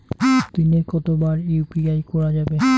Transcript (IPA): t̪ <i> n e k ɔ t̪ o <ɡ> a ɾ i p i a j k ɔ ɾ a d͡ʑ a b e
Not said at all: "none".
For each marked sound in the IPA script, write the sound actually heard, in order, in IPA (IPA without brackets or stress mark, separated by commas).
i, b